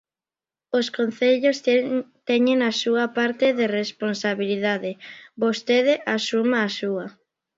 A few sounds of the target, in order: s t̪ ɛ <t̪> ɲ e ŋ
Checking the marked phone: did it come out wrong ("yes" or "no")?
yes